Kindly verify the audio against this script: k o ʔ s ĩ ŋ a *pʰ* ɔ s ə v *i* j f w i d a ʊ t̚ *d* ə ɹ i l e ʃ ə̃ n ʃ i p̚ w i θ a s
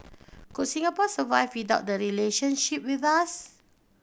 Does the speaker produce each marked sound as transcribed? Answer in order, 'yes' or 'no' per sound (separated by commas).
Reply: no, no, yes